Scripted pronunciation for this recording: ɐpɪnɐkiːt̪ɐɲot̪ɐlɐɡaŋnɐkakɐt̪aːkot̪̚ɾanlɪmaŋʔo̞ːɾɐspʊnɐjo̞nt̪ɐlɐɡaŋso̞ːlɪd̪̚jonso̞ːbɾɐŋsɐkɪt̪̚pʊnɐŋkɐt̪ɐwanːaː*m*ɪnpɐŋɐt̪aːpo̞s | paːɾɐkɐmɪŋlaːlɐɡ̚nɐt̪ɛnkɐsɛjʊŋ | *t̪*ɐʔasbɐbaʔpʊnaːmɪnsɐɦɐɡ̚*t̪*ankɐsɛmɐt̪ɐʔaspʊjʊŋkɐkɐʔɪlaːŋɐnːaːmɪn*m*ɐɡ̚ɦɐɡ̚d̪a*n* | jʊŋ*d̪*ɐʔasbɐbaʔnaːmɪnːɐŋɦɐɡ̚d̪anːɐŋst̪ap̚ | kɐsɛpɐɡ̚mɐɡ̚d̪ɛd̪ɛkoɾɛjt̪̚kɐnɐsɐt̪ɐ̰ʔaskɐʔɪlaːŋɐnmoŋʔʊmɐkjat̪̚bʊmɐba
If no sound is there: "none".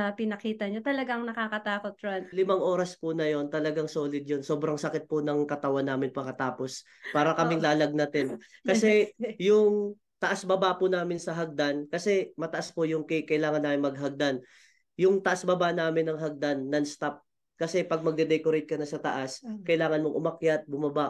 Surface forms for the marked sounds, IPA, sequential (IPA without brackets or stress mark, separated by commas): m, t̪, d̪, m, n, t̪